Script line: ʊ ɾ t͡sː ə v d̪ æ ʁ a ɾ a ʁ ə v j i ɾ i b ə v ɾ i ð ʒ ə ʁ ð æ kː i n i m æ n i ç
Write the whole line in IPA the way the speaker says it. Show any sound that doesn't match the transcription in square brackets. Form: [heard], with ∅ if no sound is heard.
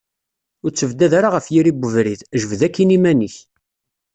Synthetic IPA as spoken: ʊ ɾ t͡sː ə v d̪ æ [ð] a ɾ a ʁ ə [f] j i ɾ i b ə v ɾ i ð ʒ ə [v] ð æ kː i n i m æ n i ç